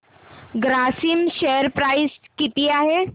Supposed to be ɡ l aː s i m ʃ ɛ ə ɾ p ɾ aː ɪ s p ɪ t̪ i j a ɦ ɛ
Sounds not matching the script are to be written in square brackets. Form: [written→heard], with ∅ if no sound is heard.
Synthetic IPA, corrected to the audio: ɡ [l→ɾ] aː s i m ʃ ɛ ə ɾ p ɾ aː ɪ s [p→k] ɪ t̪ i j a ɦ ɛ